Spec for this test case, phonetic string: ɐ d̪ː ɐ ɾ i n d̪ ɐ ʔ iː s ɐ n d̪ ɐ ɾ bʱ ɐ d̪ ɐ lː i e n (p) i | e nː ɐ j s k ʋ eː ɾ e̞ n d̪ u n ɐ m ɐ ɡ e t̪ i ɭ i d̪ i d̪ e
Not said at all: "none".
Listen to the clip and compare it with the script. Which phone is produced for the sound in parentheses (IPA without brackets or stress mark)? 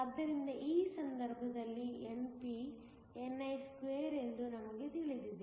p